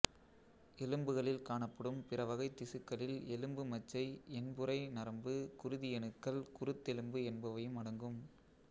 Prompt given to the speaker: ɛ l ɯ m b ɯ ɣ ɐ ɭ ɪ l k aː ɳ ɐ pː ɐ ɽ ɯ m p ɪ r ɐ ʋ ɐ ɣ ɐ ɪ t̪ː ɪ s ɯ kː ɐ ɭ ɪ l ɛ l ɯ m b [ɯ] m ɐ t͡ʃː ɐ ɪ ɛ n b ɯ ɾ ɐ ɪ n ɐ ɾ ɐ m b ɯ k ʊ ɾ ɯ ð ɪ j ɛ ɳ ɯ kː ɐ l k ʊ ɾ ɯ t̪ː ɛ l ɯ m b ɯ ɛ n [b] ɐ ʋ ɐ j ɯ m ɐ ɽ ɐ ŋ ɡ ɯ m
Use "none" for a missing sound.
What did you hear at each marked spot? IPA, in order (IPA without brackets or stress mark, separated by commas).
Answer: ɯ, b